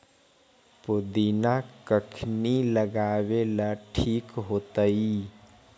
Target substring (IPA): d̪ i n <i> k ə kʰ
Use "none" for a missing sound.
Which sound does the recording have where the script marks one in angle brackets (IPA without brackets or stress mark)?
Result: a